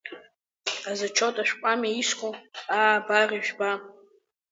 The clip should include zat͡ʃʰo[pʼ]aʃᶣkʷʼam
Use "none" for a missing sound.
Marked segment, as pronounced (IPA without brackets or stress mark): tʼ